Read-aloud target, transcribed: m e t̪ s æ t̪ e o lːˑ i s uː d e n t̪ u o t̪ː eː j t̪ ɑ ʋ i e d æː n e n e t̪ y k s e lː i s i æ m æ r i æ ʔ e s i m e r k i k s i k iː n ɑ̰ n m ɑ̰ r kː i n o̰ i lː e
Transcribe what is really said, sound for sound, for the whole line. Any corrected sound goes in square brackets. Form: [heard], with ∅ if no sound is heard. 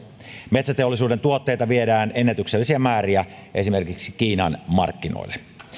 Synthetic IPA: m e t̪ s æ t̪ e o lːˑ i s uː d e n t̪ u o t̪ː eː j t̪ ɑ ʋ i e d æː n e [nː] e t̪ y k s e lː i s i æ m [æː] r i æ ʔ e s i m e r k i k s i k iː n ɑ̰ n m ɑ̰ r kː i n o̰ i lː e